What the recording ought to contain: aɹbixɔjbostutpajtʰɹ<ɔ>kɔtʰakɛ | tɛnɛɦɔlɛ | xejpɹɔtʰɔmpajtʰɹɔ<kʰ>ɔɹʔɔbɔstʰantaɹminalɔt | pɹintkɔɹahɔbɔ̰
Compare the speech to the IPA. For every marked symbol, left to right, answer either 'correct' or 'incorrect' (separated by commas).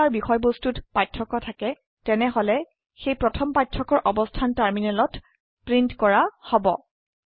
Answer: correct, incorrect